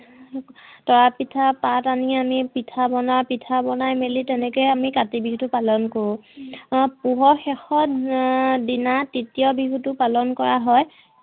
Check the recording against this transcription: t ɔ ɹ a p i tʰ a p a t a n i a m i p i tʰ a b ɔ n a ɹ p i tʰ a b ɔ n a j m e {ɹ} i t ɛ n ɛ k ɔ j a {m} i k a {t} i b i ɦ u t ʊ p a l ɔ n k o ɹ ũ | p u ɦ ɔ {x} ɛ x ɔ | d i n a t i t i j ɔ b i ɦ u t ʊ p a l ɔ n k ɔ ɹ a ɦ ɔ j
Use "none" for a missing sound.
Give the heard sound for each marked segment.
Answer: l, m, t, x

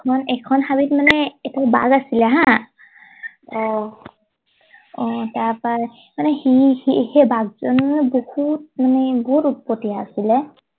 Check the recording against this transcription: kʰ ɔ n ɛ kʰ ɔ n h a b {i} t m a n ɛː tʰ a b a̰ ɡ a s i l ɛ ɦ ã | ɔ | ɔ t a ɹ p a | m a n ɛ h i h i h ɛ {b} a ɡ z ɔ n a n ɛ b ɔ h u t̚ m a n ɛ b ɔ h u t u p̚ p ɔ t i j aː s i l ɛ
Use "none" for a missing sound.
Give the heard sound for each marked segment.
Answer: i, b

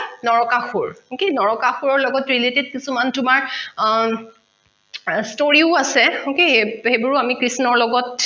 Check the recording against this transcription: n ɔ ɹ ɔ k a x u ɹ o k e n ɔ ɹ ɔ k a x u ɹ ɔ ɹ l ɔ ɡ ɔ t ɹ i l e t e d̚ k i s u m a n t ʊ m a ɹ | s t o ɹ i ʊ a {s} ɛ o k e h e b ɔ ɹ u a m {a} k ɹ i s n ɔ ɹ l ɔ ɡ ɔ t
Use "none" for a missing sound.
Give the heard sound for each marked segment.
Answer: s, i

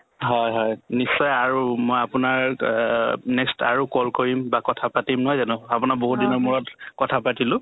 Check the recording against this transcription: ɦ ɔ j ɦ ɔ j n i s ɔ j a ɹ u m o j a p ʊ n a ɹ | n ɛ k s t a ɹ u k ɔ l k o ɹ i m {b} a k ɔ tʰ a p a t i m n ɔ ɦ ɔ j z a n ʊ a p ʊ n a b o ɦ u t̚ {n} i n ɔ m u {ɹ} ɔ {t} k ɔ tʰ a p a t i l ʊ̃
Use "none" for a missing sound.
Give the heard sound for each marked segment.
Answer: b, d, ɹ, t

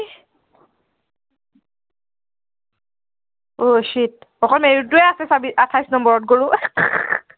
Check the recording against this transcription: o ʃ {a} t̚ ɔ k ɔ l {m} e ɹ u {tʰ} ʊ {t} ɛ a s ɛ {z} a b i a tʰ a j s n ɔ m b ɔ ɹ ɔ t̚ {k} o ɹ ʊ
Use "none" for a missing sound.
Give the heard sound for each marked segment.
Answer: i, m, t, none, s, ɡ

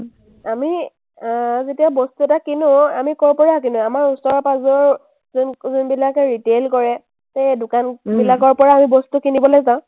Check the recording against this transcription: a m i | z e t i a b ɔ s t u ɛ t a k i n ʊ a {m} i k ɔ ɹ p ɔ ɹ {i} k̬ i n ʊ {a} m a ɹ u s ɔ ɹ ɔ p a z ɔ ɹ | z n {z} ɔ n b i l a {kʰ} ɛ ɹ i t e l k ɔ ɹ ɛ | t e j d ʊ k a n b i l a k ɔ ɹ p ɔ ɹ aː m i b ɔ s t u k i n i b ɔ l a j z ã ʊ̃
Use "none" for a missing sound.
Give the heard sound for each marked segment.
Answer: m, a, a, z, k

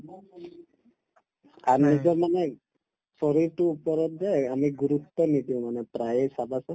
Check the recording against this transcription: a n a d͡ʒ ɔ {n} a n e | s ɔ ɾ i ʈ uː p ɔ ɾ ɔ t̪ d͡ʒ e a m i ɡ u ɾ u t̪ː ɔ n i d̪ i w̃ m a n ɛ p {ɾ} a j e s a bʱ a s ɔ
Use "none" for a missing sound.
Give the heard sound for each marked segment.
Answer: m, ɾ

